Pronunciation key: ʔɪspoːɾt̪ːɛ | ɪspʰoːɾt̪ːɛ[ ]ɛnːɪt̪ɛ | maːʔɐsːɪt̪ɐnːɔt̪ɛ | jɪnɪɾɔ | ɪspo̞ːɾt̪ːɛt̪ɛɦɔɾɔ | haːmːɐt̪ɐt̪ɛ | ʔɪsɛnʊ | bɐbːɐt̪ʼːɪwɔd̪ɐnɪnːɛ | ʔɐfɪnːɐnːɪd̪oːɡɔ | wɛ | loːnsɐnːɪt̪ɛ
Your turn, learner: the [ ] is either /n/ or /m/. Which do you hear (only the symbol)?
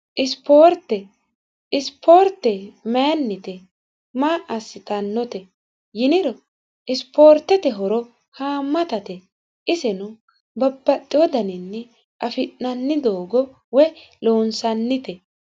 m